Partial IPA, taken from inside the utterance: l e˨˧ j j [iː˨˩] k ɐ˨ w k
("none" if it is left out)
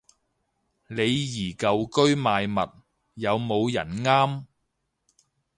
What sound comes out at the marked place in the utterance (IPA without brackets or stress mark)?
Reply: iː˨˩